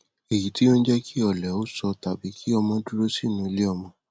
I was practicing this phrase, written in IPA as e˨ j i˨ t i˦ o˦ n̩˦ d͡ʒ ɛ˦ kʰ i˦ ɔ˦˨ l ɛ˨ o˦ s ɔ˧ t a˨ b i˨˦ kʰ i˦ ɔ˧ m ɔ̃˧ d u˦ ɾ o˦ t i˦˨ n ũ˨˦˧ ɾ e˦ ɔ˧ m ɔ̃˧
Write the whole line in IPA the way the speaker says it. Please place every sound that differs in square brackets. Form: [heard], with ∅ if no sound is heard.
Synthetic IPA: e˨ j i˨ t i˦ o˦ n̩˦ d͡ʒ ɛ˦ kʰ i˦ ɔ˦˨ l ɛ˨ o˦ s ɔ˧ t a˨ b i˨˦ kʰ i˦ ɔ˧ m ɔ̃˧ d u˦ ɾ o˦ [s] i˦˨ n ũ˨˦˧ [l] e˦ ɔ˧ m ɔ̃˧